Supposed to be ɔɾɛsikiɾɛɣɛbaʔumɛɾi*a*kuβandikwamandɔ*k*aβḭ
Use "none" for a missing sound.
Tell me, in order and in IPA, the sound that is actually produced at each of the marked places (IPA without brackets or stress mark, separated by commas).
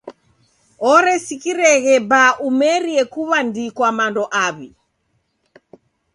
ɛ, ʔ